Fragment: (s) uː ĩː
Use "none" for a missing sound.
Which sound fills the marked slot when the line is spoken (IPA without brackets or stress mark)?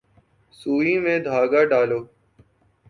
s